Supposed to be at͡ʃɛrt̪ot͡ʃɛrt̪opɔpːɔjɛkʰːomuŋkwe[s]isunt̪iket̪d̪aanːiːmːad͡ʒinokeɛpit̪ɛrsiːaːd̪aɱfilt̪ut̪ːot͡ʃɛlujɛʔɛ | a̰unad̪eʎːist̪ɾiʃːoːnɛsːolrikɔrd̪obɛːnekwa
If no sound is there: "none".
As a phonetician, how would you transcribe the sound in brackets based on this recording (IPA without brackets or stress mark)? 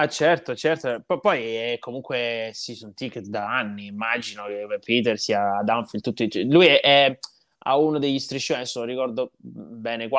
s